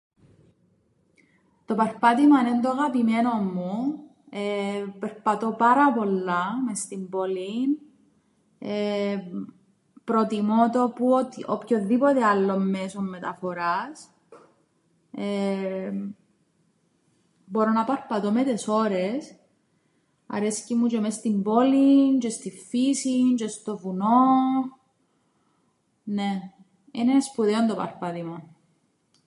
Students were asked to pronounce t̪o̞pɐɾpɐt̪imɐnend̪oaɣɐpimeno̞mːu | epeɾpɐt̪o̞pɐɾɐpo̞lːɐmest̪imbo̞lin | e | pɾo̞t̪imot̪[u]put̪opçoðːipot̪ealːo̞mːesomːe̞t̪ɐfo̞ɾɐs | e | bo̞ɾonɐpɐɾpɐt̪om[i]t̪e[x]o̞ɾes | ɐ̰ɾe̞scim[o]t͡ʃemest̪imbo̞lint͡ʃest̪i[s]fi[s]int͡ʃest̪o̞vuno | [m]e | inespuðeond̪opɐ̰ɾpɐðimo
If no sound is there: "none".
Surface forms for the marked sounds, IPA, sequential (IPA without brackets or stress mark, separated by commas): o, e, s, u, f, s, n